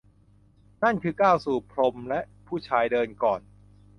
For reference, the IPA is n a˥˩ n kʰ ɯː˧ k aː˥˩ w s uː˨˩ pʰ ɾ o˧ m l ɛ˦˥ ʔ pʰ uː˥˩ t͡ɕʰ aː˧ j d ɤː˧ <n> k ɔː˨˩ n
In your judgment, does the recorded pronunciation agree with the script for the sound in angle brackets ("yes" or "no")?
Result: yes